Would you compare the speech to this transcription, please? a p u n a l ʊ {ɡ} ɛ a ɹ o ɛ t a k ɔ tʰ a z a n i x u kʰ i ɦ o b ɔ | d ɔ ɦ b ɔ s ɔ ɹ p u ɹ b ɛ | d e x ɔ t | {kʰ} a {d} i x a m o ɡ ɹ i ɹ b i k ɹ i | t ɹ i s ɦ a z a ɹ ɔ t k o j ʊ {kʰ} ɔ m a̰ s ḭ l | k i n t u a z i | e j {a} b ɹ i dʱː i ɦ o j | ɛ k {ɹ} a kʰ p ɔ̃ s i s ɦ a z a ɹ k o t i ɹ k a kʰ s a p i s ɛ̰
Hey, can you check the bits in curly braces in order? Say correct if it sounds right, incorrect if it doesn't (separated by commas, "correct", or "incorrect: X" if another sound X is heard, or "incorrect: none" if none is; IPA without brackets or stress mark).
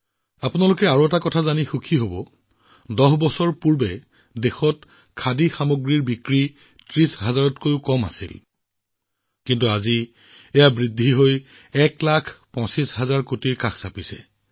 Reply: incorrect: k, correct, correct, incorrect: k, correct, incorrect: l